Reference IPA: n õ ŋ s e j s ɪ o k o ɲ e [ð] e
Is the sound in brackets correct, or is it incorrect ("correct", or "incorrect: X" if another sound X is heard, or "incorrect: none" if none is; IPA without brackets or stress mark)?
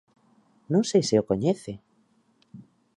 incorrect: θ